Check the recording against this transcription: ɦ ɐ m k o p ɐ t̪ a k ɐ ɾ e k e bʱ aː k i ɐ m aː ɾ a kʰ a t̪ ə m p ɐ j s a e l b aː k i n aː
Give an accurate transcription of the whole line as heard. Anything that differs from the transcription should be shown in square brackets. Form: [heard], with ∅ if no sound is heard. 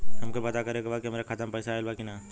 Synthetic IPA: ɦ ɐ m k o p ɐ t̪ a k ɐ ɾ e k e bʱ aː k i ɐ m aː ɾ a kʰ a t̪ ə m p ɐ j s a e l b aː k i n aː